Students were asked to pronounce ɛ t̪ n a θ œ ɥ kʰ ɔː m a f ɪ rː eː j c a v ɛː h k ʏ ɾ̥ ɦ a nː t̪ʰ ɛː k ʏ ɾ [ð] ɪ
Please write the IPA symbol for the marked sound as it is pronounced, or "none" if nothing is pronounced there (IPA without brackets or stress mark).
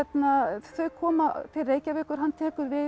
v